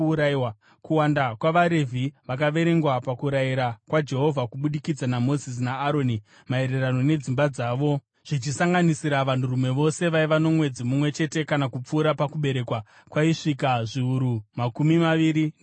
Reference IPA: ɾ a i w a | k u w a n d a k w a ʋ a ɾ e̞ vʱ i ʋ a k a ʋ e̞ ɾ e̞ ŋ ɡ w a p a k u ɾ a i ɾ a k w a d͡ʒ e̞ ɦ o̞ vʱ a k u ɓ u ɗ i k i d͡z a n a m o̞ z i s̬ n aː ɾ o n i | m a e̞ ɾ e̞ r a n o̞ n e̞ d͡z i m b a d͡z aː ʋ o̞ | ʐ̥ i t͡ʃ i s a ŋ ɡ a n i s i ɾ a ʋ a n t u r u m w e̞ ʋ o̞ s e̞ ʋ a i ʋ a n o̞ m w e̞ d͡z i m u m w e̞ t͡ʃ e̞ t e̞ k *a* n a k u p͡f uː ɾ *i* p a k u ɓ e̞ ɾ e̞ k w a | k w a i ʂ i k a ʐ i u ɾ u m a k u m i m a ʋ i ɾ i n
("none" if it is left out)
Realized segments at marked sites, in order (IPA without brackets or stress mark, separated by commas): a, a